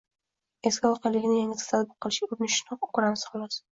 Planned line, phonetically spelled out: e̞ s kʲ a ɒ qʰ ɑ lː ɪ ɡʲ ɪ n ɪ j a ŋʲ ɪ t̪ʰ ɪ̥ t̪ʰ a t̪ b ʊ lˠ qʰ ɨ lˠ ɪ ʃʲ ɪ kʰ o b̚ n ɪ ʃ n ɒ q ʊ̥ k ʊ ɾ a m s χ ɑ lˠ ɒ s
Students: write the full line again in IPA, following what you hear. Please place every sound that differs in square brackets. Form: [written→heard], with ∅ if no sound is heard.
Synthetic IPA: e̞ s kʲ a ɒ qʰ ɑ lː ɪ ɡʲ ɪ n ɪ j a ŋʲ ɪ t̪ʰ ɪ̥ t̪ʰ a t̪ b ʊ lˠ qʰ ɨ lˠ ɪ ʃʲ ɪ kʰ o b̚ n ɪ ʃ n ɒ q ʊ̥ k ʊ ɾ a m s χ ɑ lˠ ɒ s